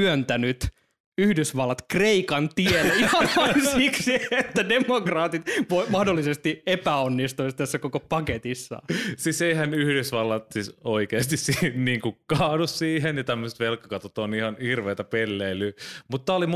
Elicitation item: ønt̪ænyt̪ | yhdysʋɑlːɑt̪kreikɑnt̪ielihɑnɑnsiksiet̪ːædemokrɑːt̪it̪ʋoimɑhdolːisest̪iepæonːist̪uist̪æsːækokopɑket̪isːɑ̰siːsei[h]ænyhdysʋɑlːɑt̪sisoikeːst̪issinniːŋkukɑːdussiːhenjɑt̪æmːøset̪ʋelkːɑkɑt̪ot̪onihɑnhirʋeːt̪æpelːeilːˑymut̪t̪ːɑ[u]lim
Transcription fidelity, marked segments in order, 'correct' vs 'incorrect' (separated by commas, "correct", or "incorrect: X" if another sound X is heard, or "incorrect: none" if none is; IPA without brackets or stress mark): correct, incorrect: o